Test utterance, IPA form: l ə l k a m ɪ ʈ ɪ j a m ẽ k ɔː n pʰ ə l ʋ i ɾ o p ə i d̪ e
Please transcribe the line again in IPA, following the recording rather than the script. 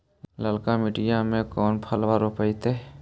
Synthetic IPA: l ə l k a m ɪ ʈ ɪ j a m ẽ k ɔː n pʰ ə l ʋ a ɾ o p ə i t̪ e